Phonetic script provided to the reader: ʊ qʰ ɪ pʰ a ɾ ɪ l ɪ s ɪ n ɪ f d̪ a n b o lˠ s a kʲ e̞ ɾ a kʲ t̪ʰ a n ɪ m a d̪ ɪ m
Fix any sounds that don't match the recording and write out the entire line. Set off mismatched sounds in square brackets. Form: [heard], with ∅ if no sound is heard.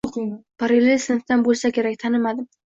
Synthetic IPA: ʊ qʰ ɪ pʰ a ɾ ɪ l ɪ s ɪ n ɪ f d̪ a n b o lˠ s a kʲ e̞ ɾ a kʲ t̪ʰ a n ɪ m a d̪ ɪ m

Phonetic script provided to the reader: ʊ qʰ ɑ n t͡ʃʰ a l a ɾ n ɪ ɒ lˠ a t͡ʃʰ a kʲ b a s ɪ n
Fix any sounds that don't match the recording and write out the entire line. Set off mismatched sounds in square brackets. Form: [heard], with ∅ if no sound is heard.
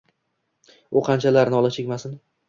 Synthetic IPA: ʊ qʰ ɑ n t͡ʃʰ a l a ɾ n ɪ ɒ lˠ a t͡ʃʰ [e] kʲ [m] a s ɪ n

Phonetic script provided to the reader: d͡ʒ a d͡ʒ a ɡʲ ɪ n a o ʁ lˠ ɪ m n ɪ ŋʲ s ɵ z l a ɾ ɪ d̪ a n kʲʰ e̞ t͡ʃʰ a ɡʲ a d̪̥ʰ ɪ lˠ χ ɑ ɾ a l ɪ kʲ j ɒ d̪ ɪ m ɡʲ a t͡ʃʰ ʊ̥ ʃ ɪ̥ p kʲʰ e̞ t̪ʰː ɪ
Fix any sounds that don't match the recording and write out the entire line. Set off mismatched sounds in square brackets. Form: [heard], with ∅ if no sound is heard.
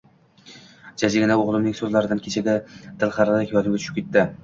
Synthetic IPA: d͡ʒ a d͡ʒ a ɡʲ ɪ n a o ʁ lˠ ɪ m n ɪ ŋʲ s ɵ z l a ɾ ɪ d̪ a n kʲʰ e̞ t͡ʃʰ a ɡʲ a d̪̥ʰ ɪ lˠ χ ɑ ɾ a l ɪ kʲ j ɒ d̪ ɪ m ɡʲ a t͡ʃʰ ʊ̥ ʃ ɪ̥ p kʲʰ e̞ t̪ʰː ɪ

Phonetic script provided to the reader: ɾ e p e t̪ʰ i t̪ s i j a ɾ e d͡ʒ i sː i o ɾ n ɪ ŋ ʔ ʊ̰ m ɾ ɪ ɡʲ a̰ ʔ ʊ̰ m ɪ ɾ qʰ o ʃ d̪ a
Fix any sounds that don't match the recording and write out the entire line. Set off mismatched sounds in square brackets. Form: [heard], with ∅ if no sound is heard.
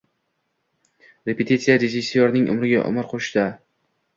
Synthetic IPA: ɾ e p e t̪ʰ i t̪ s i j a ɾ e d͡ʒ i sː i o ɾ n ɪ ŋ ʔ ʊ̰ m ɾ ɪ ɡʲ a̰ ʔ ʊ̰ m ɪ ɾ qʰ o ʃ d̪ a

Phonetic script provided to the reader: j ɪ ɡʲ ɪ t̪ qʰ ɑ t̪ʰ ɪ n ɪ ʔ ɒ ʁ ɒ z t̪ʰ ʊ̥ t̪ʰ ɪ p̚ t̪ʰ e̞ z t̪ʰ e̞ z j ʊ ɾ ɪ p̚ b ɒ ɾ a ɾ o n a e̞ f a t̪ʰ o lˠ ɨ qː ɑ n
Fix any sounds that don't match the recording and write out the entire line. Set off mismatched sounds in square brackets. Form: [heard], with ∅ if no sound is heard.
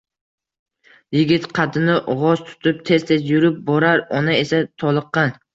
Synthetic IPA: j ɪ ɡʲ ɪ t̪ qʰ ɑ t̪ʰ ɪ n ɪ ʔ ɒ ʁ ɒ z t̪ʰ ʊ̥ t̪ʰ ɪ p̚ t̪ʰ e̞ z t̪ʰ e̞ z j ʊ ɾ ɪ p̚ b ɒ ɾ a ɾ [ɒ] n a e̞ [s] a t̪ʰ [ɒ] lˠ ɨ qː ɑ n

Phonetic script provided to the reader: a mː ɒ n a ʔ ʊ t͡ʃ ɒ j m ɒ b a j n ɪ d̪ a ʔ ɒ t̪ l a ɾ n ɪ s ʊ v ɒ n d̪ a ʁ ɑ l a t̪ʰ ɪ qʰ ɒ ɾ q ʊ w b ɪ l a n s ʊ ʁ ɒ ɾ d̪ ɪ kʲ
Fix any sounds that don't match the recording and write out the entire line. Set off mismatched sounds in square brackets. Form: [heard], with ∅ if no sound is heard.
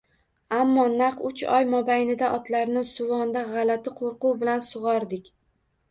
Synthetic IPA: a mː ɒ n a [q] ʊ t͡ʃ ɒ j m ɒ b a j n ɪ d̪ a ʔ ɒ t̪ l a ɾ n ɪ s ʊ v ɒ n d̪ a ʁ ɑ l a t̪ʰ ɪ qʰ [o] ɾ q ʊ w b ɪ l a n s ʊ ʁ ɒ ɾ d̪ ɪ kʲ

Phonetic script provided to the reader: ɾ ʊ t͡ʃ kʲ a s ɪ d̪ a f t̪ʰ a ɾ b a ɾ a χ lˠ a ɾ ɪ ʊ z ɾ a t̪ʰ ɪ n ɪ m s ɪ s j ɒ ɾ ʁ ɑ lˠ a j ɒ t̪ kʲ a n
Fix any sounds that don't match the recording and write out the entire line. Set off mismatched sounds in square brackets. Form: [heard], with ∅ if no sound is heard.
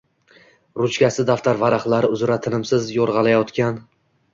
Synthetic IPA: ɾ ʊ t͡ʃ kʲ a s ɪ d̪ a f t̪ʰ a ɾ [v] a ɾ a χ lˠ a ɾ ɪ ʊ z ɾ a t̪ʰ ɪ n ɪ m s ɪ [z] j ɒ ɾ ʁ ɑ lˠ a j ɒ t̪ kʲ a n

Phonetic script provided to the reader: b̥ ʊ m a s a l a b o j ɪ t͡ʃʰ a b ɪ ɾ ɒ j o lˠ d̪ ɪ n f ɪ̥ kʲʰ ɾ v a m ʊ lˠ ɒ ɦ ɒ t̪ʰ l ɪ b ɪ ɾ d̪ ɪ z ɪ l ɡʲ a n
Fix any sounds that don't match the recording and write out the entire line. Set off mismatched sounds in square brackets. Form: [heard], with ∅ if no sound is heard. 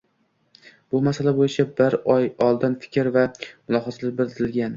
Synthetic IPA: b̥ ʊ m a s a l a b o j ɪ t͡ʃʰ a b ɪ ɾ ɒ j [ɒ] lˠ d̪ ɪ n f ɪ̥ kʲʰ ɾ v a m ʊ lˠ ɒ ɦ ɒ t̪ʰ l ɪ b ɪ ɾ d̪ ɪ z ɪ l ɡʲ a n

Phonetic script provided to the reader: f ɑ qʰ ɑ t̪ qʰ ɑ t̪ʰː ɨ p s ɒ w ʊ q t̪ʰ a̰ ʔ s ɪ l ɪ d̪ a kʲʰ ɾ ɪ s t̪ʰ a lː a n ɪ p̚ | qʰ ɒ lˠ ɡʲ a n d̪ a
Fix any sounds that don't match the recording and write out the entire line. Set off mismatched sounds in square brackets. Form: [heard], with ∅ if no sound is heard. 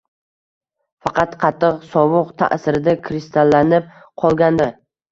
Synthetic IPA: f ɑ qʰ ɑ t̪ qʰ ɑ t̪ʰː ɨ [q] s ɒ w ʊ q t̪ʰ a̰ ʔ s ɪ [ɾ] ɪ d̪ a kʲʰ ɾ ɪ s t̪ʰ a lː a n ɪ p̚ | qʰ ɒ lˠ ɡʲ a n d̪ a

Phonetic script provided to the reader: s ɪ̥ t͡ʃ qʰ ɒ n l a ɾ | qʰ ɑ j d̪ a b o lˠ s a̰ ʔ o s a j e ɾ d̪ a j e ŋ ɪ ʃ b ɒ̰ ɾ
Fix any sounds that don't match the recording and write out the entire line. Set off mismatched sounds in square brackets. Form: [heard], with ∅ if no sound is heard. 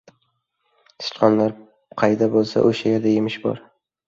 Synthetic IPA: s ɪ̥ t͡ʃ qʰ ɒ n l a ɾ | qʰ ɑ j d̪ a b o lˠ s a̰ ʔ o [ʃ] a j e ɾ d̪ a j e [m] ɪ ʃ b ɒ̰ ɾ

